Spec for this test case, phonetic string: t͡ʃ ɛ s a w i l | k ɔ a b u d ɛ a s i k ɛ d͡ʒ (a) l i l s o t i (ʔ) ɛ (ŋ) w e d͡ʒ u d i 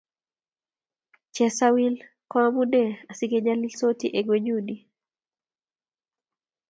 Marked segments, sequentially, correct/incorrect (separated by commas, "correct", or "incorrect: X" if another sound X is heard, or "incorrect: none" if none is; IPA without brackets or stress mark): correct, correct, incorrect: ɡ